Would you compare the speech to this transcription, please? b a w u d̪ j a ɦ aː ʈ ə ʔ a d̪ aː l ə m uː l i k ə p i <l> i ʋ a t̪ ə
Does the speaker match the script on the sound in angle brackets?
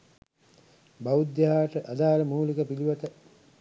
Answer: yes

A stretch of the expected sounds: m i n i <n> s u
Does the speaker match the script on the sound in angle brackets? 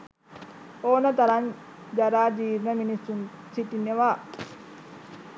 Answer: no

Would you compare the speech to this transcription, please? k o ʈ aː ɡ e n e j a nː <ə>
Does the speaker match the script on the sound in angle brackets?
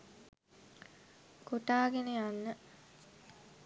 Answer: yes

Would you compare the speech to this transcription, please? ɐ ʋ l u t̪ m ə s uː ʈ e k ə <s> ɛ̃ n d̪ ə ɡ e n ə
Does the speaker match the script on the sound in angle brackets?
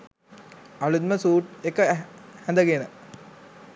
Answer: no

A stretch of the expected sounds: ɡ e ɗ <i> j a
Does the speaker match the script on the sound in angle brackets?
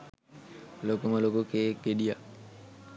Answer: yes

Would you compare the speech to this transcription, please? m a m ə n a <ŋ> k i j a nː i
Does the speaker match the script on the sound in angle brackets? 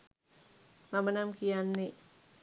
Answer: no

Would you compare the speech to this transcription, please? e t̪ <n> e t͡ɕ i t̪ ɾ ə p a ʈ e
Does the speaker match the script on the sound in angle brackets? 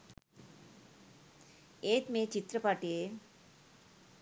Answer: no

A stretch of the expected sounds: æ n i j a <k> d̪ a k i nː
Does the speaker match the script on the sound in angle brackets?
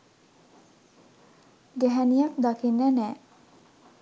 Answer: yes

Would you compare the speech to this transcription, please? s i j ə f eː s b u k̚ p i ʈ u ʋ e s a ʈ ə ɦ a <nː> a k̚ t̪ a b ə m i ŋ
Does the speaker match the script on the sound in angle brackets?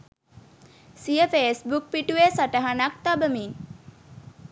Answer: no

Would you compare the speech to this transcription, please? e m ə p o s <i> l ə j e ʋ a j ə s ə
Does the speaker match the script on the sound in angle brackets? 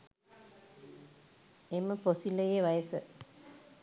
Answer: yes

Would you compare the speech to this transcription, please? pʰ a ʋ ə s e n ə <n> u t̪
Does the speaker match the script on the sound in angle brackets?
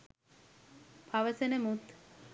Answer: no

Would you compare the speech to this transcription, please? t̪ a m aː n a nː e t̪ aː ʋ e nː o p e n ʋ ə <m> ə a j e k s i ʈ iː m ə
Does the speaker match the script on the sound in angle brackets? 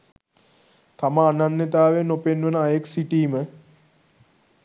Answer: no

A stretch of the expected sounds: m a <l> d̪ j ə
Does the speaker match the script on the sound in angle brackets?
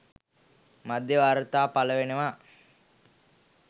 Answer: no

